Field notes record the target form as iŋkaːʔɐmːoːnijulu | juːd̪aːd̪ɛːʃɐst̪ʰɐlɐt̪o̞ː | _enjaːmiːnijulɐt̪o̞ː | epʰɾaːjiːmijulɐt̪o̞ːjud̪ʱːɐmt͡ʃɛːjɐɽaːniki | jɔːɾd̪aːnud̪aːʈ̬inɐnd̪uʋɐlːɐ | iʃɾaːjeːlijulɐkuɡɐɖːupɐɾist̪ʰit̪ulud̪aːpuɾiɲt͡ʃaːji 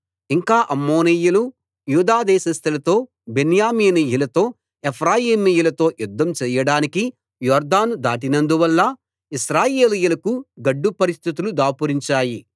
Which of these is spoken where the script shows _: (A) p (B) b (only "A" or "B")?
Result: B